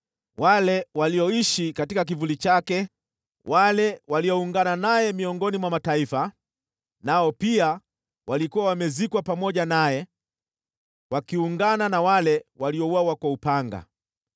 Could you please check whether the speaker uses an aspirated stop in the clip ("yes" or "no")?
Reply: no